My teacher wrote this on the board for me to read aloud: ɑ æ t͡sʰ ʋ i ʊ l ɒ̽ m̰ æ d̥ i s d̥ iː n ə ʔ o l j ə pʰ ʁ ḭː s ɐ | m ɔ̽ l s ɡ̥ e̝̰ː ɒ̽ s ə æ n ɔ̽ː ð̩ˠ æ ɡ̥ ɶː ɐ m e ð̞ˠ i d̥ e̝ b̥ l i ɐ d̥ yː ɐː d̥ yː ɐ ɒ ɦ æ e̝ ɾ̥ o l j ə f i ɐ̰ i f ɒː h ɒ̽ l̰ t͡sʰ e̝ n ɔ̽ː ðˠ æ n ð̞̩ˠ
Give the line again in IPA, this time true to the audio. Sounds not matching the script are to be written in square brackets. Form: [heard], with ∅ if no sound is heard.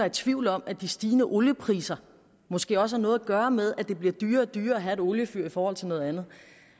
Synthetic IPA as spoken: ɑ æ t͡sʰ ʋ i ʊ l ɒ̽ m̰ æ d̥ i s d̥ iː n ə ʔ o l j ə pʰ ʁ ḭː s ɐ | m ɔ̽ [∅] s ɡ̥ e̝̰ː ɒ̽ s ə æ n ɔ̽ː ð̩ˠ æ ɡ̥ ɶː ɐ m e ð̞ˠ [æ] d̥ e̝ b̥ l i ɐ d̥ yː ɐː d̥ yː ɐ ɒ ɦ æ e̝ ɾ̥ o l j ə f [y] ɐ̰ i f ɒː h ɒ̽ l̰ t͡sʰ e̝ n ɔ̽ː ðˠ æ n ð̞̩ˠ